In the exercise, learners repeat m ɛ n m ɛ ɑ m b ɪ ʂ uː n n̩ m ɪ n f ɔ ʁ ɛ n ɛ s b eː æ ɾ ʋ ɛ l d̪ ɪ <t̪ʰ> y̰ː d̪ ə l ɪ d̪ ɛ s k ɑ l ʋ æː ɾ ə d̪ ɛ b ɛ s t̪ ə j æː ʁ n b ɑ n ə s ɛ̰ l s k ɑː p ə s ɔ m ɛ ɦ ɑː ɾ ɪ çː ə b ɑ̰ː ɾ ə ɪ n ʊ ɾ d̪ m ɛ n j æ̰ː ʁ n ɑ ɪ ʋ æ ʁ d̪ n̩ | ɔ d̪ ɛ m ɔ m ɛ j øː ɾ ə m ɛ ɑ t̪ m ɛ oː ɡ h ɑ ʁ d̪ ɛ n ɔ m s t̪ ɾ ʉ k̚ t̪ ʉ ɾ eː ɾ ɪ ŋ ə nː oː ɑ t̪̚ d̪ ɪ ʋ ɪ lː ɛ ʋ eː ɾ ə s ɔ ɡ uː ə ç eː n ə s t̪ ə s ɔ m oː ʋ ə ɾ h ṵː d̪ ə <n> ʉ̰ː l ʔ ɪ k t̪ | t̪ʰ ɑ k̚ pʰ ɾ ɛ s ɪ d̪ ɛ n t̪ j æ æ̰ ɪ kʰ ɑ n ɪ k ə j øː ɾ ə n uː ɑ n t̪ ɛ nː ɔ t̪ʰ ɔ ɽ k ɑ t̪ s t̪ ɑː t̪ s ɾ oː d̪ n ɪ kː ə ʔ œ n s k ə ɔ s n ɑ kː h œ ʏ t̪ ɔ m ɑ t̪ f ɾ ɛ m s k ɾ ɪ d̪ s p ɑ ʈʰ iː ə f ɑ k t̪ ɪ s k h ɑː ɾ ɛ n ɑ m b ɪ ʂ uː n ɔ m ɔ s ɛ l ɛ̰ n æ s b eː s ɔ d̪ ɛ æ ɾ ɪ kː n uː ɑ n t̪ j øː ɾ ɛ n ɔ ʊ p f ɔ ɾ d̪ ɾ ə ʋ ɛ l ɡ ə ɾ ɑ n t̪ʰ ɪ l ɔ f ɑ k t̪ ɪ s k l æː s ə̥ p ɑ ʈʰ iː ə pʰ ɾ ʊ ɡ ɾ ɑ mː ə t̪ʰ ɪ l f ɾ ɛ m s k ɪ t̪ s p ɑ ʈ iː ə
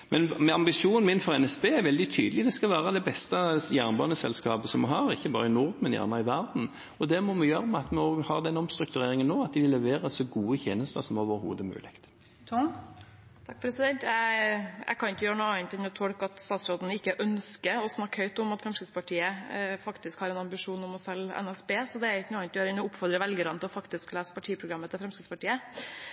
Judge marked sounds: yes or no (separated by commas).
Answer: yes, no